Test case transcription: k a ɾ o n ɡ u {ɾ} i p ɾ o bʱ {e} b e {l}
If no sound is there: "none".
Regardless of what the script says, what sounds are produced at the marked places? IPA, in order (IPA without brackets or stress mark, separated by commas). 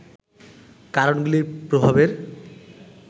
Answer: l, a, ɾ